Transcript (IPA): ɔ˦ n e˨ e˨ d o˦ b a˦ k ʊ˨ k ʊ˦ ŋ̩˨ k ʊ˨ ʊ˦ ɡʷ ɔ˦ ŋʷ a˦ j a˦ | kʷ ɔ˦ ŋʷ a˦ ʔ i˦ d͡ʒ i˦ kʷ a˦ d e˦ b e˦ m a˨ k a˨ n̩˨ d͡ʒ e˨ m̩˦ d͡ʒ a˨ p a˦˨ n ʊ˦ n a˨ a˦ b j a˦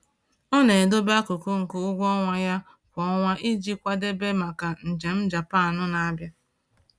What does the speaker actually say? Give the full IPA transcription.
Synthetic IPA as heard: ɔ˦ n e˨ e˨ d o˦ b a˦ k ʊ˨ k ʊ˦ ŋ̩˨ k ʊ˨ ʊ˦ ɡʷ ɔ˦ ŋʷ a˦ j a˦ | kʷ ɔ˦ ŋʷ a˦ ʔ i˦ d͡ʒ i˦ kʷ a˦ d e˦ b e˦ m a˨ k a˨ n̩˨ d͡ʒ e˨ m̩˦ d͡ʒ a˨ p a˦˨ n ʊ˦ n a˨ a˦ b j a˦

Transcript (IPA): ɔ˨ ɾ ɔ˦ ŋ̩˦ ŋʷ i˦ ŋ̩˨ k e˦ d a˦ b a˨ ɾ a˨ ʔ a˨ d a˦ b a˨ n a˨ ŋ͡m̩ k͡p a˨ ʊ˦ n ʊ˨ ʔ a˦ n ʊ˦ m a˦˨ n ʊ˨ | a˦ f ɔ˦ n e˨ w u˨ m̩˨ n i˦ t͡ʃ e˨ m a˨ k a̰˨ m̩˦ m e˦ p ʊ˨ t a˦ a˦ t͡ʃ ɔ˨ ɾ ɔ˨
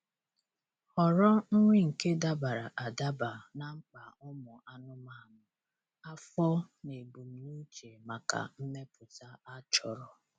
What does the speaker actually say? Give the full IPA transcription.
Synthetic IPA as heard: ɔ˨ ɾ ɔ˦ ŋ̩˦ ŋʷ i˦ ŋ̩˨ k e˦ d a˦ b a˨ ɾ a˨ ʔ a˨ d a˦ b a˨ n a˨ ŋ͡m̩ k͡p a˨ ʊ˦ m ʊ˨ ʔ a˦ n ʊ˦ m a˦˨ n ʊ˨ | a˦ f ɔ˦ n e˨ b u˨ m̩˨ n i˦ t͡ʃ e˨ m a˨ k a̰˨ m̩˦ m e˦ p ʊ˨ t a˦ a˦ t͡ʃ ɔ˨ ɾ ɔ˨

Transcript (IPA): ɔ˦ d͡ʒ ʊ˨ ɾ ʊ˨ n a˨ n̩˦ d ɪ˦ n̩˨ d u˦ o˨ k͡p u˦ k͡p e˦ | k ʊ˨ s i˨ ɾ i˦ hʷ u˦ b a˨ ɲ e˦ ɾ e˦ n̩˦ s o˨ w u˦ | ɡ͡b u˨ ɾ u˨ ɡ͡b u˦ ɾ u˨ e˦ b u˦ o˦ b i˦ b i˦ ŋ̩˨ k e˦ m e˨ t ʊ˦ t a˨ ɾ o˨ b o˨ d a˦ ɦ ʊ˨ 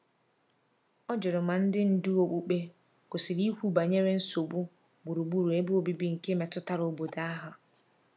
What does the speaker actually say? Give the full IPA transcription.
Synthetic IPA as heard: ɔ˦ d͡ʒ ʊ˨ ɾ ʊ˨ m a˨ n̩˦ d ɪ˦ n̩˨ d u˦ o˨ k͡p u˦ k͡p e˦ | k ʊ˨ s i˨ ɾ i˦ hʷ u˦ b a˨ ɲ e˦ ɾ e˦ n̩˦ s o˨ b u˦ | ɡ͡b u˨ ɾ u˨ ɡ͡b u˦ ɾ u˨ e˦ b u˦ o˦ b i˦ b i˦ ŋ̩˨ k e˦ m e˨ t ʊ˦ t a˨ ɾ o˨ b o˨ d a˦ ɦ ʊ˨

